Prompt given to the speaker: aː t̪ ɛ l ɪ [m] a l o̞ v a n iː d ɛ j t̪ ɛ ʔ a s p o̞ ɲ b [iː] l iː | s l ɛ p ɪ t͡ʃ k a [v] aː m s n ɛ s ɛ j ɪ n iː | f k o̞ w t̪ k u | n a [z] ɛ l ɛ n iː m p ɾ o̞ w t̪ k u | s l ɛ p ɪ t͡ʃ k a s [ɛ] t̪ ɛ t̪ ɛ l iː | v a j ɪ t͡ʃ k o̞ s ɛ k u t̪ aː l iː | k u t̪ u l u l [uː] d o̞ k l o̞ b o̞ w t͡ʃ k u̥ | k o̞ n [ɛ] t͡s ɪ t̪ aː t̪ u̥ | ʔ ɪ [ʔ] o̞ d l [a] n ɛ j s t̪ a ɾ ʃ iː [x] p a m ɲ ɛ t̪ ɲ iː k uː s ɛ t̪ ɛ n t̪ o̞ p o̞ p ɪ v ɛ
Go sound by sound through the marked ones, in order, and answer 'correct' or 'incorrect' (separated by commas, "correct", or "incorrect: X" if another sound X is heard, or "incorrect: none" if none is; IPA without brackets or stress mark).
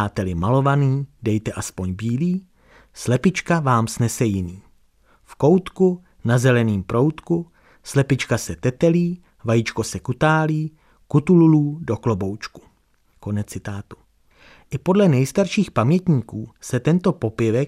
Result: correct, correct, correct, correct, correct, correct, correct, incorrect: p, incorrect: ɛ, correct